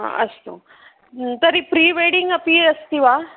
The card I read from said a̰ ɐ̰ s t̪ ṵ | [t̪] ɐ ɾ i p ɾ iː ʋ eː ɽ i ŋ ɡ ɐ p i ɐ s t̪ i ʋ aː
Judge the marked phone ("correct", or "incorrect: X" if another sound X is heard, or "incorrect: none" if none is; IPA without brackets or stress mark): correct